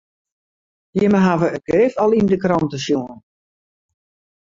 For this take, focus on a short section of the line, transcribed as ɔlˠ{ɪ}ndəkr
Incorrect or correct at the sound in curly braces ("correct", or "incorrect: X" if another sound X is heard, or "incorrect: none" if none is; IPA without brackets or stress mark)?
incorrect: i